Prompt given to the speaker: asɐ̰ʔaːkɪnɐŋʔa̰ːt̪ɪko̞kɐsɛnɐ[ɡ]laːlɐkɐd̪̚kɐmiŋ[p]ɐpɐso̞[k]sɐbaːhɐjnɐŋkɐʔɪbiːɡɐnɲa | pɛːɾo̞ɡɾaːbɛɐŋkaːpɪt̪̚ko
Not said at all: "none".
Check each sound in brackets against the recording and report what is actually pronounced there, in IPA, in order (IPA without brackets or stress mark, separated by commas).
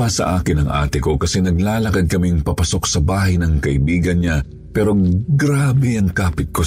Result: ɡ, p, k